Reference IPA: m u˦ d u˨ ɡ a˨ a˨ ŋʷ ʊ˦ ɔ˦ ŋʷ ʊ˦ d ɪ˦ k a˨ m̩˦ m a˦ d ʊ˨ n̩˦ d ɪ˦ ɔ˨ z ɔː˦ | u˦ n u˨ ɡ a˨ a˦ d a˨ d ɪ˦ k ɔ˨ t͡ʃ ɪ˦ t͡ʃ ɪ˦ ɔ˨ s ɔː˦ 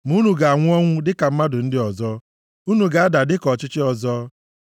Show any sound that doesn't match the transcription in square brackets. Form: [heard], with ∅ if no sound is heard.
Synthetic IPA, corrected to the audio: m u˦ [n] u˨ ɡ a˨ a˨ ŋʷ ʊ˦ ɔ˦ ŋʷ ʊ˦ d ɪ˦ k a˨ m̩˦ m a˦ d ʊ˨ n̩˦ d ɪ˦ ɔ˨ z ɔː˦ | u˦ n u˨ ɡ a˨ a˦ d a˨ d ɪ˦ k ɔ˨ t͡ʃ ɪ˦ t͡ʃ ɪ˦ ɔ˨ [z] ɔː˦